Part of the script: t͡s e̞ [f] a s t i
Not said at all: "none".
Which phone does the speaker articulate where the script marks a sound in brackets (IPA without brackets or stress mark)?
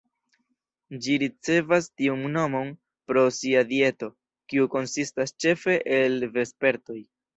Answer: v